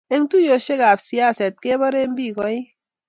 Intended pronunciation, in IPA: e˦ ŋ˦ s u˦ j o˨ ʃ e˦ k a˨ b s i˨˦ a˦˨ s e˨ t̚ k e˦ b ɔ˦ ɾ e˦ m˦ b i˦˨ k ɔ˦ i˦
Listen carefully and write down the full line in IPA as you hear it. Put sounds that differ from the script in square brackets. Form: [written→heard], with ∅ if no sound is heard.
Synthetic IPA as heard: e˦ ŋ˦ [s→t] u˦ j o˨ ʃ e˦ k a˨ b s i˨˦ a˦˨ s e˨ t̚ k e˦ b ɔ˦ ɾ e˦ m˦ b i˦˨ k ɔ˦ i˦